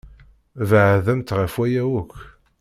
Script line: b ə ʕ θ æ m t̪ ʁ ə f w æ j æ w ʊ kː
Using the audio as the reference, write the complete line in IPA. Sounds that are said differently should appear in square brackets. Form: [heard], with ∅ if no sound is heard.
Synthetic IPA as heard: [v] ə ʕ [ð] æ m t̪ ʁ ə f w æ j æ w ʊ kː